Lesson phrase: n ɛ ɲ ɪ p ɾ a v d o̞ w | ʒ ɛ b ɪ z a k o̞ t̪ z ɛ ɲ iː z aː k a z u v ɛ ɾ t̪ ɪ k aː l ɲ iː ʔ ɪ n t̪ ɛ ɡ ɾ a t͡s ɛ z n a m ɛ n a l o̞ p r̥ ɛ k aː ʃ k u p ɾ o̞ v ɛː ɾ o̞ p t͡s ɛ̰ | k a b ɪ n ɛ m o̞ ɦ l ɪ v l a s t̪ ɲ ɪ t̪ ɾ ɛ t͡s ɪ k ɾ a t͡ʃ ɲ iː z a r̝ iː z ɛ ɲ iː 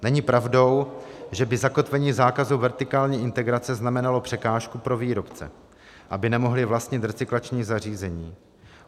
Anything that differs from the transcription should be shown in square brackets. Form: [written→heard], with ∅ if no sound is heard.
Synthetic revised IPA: n ɛ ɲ ɪ p ɾ a v d o̞ w | ʒ ɛ b ɪ z a k o̞ t̪ [z→v] ɛ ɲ iː z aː k a z u v ɛ ɾ t̪ ɪ k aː l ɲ iː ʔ ɪ n t̪ ɛ ɡ ɾ a t͡s ɛ z n a m ɛ n a l o̞ p r̥ ɛ k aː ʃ k u p ɾ o̞ v [ɛː→iː] ɾ o̞ p t͡s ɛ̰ | [k→ʔ] a b ɪ n ɛ m o̞ ɦ l ɪ v l a s t̪ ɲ ɪ t̪ ɾ ɛ t͡s ɪ k [ɾ→l] a t͡ʃ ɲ iː z a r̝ iː z ɛ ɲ iː